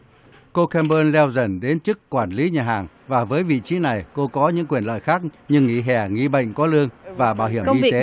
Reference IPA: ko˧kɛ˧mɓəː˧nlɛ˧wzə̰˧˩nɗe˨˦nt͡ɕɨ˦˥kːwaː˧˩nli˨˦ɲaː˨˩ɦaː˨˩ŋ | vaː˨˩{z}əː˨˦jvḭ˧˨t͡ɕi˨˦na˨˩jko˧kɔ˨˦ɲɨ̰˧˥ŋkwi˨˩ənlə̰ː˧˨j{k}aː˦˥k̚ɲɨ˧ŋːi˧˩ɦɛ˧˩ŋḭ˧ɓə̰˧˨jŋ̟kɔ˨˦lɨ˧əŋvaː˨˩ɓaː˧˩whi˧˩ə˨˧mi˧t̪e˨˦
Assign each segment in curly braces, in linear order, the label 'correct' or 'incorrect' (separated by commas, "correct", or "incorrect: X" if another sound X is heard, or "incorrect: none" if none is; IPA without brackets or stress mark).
incorrect: v, incorrect: x